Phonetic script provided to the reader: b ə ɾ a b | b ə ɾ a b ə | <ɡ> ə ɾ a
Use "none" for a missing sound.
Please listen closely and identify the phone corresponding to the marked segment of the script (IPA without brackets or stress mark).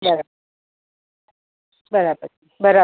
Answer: b